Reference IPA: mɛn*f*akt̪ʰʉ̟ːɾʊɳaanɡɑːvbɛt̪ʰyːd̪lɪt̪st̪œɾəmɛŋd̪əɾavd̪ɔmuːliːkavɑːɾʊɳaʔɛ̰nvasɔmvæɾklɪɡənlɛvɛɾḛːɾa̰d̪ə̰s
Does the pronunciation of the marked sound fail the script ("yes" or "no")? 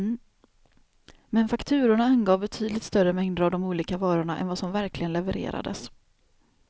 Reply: no